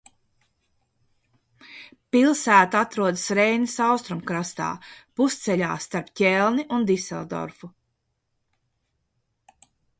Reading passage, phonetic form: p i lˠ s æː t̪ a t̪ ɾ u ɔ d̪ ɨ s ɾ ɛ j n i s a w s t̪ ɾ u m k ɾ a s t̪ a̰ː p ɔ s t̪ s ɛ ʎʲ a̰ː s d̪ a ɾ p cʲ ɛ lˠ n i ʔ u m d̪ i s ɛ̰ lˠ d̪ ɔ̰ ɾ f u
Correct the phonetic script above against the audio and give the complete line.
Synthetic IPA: p i lˠ s æː t̪ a t̪ ɾ u ɔ d̪ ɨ s ɾ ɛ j n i s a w s t̪ ɾ u m k ɾ a s t̪ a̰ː p u s t̪ s ɛ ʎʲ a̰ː s t̪ a ɾ p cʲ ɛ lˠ n i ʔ u n d̪ i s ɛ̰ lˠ d̪ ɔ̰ ɾ f u